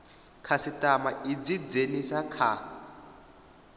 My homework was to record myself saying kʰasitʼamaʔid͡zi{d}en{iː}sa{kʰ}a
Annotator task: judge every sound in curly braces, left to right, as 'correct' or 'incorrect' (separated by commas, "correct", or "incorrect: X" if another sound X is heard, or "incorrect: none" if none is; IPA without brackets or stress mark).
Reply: incorrect: d͡z, incorrect: i, correct